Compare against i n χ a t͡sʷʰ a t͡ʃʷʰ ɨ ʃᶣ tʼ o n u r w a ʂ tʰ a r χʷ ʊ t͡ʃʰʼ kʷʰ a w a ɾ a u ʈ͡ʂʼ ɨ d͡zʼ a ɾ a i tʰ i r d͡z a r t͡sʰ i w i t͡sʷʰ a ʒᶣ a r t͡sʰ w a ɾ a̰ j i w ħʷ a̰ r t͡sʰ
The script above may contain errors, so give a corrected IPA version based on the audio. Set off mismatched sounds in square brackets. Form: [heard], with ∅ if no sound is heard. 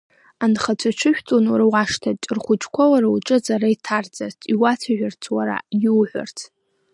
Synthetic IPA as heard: [a] n χ a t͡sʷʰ a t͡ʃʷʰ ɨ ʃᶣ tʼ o n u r w a ʂ tʰ a r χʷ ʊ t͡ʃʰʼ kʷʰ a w a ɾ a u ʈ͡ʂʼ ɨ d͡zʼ a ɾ a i tʰ [a] r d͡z a r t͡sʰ i w [a] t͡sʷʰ a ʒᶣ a r t͡sʰ w a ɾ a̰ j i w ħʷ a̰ r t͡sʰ